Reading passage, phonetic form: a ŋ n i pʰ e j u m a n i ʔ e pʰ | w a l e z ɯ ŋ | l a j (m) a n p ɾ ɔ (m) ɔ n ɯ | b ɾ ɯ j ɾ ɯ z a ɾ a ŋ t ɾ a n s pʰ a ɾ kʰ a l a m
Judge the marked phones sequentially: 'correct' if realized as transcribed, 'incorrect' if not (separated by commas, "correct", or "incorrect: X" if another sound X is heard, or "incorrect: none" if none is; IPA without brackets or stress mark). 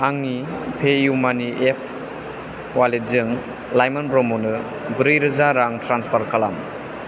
correct, correct